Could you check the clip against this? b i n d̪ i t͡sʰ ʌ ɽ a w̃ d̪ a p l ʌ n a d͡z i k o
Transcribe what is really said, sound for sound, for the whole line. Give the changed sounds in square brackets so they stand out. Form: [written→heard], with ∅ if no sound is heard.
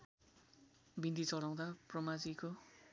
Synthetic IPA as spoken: b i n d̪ i [t͡sʰ→t͡s] ʌ ɽ a w̃ d̪ a p [l→r] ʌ [n→m] a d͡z i k o